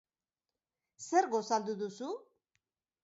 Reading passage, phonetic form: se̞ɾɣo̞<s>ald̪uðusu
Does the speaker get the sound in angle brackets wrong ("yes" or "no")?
no